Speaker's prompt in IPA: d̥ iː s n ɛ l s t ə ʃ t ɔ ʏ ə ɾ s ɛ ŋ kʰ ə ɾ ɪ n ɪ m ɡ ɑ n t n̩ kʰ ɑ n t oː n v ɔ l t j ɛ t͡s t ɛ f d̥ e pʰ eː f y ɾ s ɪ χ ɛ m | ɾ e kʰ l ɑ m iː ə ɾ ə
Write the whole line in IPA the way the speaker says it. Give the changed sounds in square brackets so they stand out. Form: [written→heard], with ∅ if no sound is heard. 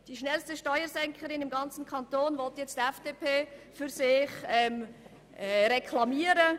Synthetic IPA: d̥ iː [s→ʃ] n ɛ l s t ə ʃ t ɔ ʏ ə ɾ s ɛ ŋ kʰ ə ɾ ɪ n ɪ m ɡ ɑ n [t→t͡s] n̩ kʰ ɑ n t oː n v ɔ l t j ɛ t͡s t ɛ f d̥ e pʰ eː f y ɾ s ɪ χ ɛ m | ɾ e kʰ l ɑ m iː ə ɾ ə

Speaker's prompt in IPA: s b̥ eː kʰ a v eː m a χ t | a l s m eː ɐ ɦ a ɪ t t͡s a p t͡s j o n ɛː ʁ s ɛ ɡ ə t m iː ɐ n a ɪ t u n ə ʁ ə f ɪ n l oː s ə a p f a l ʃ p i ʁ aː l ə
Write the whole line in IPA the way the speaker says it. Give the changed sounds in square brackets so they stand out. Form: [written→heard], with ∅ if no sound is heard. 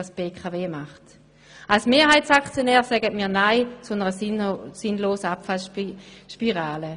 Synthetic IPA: s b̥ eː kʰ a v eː m a χ t | a l s m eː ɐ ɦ a ɪ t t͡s a [p→k] t͡s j o n ɛː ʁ s ɛ ɡ ə t m iː ɐ n a ɪ [t→t͡s] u n ə ʁ ə [f→s] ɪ n l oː s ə a p f a l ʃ p i ʁ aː l ə

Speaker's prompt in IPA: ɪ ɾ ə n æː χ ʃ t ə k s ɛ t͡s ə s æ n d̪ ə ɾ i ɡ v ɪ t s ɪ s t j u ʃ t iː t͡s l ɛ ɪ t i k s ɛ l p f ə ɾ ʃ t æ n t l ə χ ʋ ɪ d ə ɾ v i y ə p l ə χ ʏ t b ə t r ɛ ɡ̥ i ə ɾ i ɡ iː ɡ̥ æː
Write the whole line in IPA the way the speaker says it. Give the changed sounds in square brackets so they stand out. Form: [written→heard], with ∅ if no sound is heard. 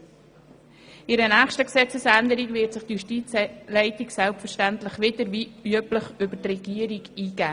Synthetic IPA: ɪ ɾ ə n æː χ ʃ t ə k s ɛ t͡s ə s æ n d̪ ə ɾ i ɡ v ɪ t s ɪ [s→χ] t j u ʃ t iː t͡s l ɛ ɪ t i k s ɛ l p f ə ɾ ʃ t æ n t l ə χ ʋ ɪ d ə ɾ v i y ə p l ə χ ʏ [t→∅] b ə t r ɛ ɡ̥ i ə ɾ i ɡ iː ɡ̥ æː

